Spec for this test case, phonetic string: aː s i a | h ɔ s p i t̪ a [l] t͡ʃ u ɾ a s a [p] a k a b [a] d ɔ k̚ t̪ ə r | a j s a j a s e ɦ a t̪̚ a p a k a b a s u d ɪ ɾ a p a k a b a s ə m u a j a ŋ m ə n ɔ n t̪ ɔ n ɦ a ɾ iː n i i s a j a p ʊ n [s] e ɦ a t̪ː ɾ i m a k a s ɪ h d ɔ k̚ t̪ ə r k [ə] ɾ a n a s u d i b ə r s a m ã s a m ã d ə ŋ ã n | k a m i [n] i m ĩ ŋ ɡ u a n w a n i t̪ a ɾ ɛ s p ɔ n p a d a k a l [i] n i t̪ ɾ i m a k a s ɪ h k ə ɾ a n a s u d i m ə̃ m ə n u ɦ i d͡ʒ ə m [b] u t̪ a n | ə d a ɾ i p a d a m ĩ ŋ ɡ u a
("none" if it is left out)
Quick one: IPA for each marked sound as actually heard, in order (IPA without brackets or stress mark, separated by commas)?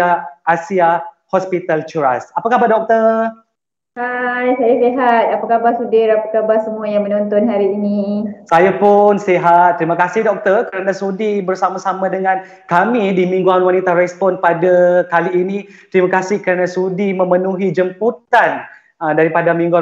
l, p, a, s, ə, d, iː, p